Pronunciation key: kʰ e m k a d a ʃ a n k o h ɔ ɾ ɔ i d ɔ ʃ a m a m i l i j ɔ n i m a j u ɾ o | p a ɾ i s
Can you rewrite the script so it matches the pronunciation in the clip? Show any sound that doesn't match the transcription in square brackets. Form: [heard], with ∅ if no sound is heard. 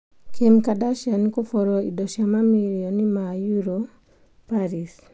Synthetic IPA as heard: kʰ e m k a d a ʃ a n k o [f] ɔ ɾ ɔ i d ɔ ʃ a m a m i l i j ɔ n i m a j u ɾ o | p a ɾ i s